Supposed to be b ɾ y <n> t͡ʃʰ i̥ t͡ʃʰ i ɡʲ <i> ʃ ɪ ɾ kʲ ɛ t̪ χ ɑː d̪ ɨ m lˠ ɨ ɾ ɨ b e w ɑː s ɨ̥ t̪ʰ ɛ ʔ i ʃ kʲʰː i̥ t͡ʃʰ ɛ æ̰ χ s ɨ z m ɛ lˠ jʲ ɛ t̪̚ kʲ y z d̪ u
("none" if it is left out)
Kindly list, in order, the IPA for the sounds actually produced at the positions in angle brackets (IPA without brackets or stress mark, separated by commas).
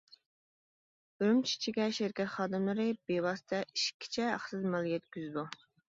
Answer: m, ɛ